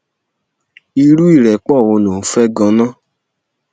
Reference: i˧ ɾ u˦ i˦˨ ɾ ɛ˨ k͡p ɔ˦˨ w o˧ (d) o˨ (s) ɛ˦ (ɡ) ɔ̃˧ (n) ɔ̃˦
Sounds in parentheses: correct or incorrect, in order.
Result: incorrect: n, incorrect: f, correct, correct

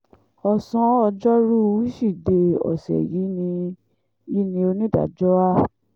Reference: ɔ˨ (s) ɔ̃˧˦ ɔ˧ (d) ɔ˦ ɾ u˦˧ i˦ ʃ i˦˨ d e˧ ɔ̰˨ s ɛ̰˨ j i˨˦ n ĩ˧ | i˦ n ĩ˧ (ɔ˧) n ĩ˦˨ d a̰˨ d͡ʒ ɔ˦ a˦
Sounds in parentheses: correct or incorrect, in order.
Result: correct, incorrect: d͡ʒ, incorrect: o˧

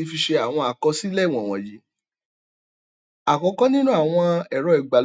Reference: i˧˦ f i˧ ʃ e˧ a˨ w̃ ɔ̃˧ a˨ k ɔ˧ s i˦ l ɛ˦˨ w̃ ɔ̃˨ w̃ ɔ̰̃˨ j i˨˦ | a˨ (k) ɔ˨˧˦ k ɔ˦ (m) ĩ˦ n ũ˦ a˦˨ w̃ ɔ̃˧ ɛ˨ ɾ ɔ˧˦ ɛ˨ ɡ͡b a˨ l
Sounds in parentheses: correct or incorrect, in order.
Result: correct, incorrect: n

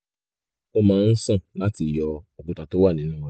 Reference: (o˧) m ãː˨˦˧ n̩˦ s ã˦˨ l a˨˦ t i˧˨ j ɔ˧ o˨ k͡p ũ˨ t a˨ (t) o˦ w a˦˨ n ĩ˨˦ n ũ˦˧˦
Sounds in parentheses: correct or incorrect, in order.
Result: correct, correct

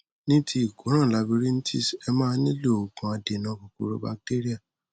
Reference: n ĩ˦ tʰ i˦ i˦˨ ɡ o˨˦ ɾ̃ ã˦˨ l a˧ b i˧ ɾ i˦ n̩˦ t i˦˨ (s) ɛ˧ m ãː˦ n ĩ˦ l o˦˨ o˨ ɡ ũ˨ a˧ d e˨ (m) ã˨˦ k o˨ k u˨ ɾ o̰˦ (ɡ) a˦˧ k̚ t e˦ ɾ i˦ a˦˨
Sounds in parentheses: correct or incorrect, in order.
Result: correct, incorrect: n, incorrect: b

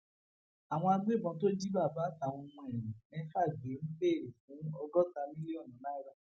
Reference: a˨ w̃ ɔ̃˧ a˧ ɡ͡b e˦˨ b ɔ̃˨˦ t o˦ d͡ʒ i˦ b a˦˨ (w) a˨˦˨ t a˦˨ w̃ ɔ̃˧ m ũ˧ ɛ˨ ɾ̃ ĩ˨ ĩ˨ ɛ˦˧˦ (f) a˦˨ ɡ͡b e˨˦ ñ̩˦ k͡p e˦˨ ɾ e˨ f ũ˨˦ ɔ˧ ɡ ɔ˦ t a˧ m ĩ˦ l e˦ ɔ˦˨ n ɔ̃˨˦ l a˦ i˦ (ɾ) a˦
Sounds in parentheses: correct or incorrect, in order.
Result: incorrect: b, correct, correct

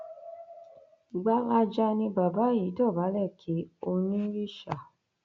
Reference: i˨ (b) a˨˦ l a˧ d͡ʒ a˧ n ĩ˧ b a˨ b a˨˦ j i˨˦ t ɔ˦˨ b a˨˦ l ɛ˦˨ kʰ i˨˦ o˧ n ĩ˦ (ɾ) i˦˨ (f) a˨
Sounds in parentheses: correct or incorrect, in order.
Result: incorrect: ɡ͡b, correct, incorrect: ʃ

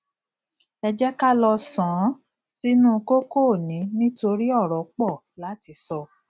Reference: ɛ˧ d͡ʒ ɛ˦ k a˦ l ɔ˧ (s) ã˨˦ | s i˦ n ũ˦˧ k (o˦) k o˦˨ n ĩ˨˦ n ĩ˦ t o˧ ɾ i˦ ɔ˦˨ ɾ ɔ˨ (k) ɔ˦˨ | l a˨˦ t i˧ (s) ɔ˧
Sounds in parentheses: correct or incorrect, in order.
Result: correct, correct, incorrect: k͡p, correct

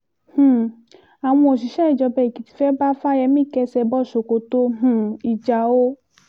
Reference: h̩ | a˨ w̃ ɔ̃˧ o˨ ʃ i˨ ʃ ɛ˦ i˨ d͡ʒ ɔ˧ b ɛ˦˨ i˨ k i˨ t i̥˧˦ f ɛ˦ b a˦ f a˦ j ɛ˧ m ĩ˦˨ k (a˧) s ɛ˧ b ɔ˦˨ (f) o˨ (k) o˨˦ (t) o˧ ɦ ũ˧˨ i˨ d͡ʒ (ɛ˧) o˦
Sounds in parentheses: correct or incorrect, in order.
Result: incorrect: ɛ˧, incorrect: ʃ, correct, correct, incorrect: a˧

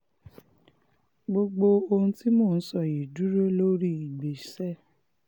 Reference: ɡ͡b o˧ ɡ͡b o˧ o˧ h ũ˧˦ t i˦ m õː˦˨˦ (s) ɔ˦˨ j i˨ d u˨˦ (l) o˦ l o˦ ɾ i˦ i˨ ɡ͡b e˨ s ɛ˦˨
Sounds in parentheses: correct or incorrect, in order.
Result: correct, incorrect: ɾ

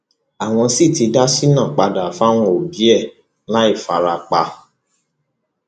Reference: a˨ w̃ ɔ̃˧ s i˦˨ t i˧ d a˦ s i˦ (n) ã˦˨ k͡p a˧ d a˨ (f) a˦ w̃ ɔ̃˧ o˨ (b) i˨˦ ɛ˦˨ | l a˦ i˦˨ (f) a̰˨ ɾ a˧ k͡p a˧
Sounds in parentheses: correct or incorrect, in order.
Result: correct, correct, correct, correct

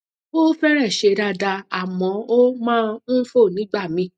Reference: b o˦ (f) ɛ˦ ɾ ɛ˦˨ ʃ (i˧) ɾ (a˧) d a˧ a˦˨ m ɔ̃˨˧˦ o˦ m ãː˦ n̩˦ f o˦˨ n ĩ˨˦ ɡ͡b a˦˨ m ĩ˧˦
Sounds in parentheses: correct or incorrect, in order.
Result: correct, incorrect: e˧, correct

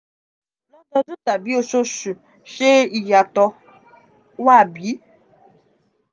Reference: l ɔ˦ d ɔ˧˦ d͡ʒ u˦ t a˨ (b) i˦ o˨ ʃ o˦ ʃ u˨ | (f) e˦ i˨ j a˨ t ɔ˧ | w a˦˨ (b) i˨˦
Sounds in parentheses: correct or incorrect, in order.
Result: correct, incorrect: ʃ, correct

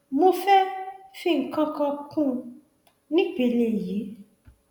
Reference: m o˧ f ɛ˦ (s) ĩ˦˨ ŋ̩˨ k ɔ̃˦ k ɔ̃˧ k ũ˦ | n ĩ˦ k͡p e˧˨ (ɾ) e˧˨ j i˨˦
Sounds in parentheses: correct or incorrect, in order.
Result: incorrect: f, incorrect: l

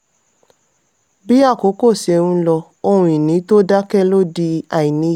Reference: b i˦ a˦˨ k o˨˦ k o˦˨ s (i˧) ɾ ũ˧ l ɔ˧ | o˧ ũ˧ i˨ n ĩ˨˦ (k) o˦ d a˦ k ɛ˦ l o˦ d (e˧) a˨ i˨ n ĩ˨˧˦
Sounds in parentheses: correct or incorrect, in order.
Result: incorrect: e˧, incorrect: t, incorrect: i˧

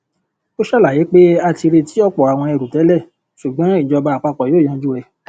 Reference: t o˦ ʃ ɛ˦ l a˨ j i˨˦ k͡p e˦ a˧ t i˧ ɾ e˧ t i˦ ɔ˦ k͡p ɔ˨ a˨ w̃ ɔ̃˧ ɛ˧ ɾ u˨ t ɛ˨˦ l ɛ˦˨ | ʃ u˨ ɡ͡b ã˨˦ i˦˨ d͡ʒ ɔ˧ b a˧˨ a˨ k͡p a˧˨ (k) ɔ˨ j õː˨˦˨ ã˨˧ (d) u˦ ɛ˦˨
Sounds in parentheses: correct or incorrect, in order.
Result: incorrect: k͡p, incorrect: d͡ʒ

